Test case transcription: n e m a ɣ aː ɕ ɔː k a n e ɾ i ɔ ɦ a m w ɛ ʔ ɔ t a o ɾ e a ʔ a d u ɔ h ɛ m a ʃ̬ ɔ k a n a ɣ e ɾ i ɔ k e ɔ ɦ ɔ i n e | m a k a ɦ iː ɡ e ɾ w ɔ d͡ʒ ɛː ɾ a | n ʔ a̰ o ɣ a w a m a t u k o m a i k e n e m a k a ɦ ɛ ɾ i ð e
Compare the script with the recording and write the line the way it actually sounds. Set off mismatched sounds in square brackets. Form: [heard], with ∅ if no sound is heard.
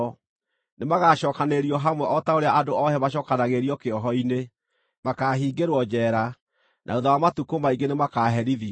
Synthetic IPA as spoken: n e m a ɣ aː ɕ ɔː k a n e ɾ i ɔ ɦ a m w ɛ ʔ ɔ t a o ɾ e a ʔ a d [o] ɔ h ɛ m a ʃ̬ ɔ k a n a ɣ e ɾ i ɔ k e ɔ ɦ ɔ i n e | m a k a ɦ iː ɡ e ɾ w ɔ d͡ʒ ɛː ɾ a | n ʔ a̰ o [ð] a w a m a t u k o m a i [ɡ] e n e m a k a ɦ ɛ ɾ i ð [i]